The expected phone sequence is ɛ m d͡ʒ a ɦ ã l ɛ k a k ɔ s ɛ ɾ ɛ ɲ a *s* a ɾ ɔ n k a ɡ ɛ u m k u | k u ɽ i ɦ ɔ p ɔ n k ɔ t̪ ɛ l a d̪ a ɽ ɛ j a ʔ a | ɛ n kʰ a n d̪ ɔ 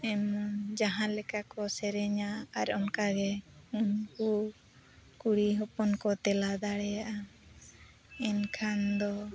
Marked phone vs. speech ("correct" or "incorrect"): incorrect